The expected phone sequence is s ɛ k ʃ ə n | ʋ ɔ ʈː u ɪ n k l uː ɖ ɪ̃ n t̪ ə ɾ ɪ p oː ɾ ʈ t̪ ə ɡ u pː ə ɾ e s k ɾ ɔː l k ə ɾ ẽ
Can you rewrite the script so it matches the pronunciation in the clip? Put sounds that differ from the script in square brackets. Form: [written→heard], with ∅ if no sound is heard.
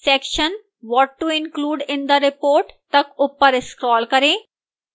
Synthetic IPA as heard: s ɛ k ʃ ə n | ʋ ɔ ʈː u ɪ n k l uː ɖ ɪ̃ n [t̪→d̪] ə ɾ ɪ p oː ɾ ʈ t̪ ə [ɡ→k] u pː ə ɾ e s k ɾ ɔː l k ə ɾ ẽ